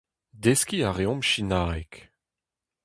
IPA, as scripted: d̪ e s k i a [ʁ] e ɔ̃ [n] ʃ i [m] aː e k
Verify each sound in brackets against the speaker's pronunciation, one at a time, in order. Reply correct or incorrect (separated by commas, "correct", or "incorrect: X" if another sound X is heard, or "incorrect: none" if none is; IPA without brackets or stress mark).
correct, incorrect: m, incorrect: n